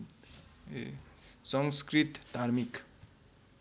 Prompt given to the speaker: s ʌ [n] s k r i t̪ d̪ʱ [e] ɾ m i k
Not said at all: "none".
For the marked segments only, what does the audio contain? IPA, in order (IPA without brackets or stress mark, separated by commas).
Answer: ŋ, a